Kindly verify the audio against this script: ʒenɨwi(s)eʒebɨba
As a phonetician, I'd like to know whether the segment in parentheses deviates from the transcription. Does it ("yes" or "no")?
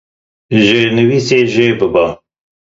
no